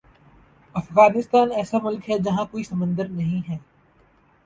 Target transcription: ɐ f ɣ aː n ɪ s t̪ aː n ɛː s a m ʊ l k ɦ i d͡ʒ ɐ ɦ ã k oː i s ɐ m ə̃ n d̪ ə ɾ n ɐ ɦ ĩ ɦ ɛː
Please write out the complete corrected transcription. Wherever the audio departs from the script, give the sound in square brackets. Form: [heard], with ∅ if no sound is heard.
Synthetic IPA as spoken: ɐ f ɣ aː n ɪ s t̪ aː n ɛː s a m ʊ l k ɦ [ɛ] d͡ʒ ɐ ɦ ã k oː i s ɐ m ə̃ n d̪ ə ɾ n ɐ ɦ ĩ ɦ ɛː